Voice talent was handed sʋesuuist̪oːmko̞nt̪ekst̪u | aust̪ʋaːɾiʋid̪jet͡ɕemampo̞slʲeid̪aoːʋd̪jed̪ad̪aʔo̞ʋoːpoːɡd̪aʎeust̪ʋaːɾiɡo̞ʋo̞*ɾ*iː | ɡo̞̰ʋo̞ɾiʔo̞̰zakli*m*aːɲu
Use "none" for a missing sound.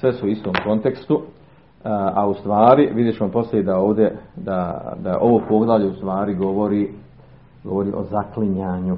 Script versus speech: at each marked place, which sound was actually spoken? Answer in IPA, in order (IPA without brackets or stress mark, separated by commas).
ɾ, ɲ